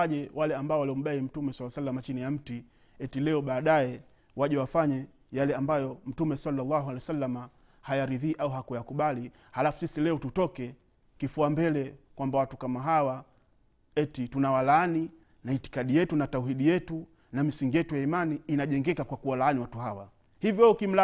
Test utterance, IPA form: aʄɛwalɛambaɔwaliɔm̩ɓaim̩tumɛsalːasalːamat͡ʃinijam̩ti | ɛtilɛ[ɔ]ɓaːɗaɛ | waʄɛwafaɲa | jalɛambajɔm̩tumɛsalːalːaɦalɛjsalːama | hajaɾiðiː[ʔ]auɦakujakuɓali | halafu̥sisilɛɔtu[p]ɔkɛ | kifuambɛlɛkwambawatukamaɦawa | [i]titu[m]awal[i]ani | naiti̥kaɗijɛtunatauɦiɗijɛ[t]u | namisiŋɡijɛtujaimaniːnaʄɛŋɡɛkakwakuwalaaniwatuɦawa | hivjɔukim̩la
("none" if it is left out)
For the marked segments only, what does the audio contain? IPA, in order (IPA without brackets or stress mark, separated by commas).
ɔ, ʔ, t, ɛ, n, a, t